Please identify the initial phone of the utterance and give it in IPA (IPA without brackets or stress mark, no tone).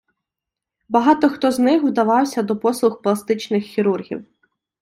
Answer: b